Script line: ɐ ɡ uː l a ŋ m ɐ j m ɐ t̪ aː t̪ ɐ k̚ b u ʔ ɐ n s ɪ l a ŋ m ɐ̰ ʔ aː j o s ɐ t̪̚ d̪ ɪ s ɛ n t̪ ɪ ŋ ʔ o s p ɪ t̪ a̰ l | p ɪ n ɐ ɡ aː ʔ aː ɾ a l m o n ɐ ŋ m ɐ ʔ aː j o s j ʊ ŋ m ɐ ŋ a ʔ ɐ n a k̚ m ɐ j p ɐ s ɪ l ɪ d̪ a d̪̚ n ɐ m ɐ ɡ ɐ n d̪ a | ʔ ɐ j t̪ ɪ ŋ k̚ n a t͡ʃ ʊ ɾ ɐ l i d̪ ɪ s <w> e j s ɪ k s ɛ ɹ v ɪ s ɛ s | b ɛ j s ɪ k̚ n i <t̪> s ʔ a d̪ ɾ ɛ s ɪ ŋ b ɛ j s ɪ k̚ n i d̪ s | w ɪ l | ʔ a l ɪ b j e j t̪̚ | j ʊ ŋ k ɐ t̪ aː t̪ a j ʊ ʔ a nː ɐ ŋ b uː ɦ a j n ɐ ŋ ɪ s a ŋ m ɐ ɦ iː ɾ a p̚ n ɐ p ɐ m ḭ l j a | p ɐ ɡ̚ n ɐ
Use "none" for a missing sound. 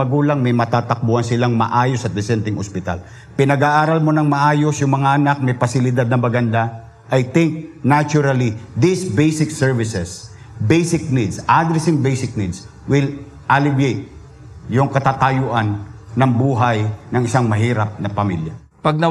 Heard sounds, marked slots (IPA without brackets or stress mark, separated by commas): b, d̪